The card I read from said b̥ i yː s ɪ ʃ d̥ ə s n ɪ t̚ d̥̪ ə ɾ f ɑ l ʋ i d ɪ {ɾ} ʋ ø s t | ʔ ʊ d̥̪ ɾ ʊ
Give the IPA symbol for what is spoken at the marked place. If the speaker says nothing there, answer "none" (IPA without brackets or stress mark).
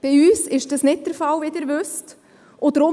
ɾ